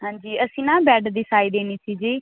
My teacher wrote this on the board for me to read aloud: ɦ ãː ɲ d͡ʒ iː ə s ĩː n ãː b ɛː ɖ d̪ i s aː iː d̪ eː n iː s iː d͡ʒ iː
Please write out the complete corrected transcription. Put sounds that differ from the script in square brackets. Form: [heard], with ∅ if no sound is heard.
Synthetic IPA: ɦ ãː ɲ d͡ʒ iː ə s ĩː n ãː b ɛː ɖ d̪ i s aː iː d̪ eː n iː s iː d͡ʒ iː